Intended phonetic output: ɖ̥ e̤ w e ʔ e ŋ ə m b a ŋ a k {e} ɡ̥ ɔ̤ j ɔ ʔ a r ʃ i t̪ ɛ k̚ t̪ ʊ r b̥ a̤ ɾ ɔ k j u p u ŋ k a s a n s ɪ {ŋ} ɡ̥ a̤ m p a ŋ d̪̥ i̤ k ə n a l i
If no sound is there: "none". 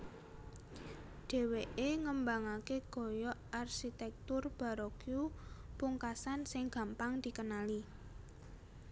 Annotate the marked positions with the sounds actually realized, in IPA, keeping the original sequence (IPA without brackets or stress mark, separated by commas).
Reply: e, ŋ